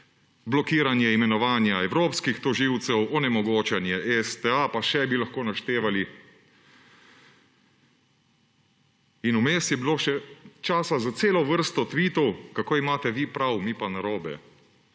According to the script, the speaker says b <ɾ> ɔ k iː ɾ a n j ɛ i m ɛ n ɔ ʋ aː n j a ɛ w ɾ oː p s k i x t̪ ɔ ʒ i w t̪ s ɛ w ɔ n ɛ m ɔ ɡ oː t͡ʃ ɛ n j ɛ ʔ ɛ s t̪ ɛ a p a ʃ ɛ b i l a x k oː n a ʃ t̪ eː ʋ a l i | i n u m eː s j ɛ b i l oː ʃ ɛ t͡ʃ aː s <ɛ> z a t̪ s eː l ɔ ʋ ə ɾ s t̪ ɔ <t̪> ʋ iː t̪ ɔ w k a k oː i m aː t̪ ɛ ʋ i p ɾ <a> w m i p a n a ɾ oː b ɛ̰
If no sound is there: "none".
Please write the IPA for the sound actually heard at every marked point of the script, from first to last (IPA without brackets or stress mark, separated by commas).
l, a, t̪, a